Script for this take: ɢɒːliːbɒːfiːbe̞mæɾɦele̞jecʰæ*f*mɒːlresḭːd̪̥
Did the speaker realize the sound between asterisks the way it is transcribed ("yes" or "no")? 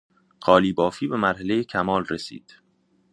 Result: no